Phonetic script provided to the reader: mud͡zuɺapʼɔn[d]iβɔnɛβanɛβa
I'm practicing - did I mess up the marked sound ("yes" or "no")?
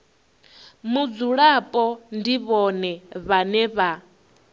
no